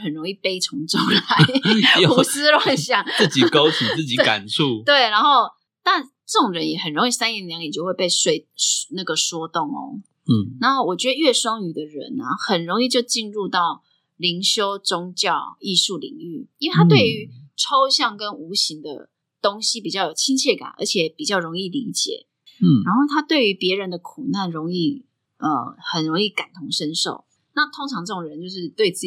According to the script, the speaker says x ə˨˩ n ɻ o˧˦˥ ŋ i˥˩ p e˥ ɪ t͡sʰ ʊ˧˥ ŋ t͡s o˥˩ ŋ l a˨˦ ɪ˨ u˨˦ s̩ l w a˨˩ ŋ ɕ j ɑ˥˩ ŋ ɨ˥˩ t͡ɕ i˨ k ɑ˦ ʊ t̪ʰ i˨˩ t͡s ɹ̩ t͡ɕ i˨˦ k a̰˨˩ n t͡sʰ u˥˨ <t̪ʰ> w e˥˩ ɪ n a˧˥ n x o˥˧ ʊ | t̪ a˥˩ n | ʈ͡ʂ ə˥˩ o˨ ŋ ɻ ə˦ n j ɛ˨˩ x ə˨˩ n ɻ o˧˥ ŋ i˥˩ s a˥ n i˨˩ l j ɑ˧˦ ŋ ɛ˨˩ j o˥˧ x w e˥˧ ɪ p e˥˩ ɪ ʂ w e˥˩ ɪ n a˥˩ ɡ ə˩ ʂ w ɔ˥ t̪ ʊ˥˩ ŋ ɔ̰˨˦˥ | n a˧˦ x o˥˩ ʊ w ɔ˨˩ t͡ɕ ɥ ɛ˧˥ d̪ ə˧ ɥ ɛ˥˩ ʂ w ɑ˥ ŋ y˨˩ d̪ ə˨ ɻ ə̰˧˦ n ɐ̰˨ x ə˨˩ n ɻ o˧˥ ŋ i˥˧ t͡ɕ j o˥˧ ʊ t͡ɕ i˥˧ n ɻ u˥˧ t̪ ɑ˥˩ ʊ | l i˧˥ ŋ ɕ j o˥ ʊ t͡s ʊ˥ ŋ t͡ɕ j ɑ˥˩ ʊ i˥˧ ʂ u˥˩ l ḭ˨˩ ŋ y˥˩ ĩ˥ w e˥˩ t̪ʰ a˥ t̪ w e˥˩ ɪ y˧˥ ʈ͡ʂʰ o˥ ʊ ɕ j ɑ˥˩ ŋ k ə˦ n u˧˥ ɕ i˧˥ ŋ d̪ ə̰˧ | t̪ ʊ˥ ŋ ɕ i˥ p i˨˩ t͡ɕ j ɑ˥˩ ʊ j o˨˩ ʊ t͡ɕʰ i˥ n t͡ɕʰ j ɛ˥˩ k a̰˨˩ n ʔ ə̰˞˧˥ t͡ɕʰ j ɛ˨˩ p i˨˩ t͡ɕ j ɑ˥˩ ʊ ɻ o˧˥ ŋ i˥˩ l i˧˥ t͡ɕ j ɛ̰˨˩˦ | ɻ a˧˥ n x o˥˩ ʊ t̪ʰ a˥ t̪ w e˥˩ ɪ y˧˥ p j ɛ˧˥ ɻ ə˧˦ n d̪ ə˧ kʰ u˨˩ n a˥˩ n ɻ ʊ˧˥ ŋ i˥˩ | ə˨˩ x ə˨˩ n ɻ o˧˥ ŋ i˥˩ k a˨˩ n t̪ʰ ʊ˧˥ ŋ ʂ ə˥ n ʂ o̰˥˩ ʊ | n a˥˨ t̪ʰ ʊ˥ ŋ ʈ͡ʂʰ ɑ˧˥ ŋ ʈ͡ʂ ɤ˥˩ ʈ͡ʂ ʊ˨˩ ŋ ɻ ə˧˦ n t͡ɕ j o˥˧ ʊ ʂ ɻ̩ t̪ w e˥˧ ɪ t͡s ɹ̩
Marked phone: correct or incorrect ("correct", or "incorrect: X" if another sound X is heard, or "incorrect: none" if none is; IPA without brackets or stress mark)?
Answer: incorrect: t̪